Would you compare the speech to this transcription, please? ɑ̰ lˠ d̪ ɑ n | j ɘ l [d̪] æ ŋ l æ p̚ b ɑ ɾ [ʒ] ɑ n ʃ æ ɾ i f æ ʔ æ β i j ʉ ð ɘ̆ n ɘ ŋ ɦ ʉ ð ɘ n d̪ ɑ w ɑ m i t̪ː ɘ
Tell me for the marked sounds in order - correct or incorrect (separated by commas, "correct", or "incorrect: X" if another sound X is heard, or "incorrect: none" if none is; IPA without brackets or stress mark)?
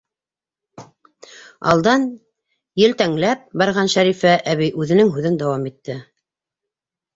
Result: incorrect: t̪, incorrect: ʁ